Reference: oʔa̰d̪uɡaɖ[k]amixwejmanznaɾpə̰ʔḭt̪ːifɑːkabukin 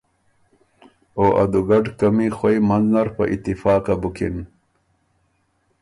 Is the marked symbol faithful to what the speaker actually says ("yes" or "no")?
yes